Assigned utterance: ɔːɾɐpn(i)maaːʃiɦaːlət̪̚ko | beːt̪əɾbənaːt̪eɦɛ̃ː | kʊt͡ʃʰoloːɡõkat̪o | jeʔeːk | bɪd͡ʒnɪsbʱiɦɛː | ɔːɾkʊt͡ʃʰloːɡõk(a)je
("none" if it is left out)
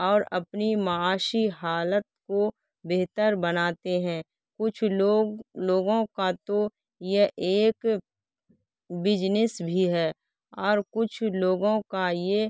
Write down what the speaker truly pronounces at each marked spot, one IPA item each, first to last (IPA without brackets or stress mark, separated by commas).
i, a